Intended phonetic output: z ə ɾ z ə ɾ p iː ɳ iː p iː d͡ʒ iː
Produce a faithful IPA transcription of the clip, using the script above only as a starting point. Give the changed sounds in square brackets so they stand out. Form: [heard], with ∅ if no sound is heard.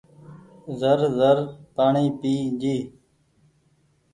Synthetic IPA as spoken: z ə ɾ z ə ɾ p [aː] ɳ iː p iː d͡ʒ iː